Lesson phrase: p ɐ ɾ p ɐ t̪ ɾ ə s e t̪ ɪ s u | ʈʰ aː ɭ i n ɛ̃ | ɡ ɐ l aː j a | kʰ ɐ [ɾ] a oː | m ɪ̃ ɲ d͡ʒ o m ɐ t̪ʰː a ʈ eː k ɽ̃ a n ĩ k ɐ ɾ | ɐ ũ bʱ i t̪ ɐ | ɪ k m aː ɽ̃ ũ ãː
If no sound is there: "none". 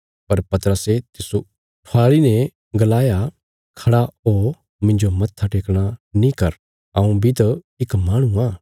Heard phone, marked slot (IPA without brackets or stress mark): ɽ